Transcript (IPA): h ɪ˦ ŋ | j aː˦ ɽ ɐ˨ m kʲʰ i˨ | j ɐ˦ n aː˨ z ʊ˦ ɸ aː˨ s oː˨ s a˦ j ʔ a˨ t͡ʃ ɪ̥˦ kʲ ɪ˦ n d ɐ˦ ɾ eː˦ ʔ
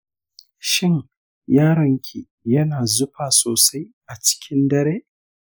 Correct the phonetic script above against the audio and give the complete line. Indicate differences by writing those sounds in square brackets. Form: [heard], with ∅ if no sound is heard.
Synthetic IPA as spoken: [ʃ] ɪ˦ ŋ | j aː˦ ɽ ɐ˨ [ŋ] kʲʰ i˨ | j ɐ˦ n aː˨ z ʊ˦ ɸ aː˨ s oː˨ s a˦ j ʔ a˨ t͡ʃ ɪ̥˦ kʲ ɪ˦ n d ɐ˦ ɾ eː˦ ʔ